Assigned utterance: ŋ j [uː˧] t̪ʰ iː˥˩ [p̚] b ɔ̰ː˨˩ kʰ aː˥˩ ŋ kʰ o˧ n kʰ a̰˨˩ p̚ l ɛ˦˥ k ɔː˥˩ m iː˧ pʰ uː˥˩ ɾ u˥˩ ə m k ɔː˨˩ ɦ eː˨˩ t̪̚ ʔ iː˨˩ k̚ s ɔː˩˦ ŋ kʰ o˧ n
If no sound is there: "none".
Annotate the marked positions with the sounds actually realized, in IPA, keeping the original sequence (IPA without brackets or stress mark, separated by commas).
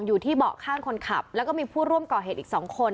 uː˨˩, none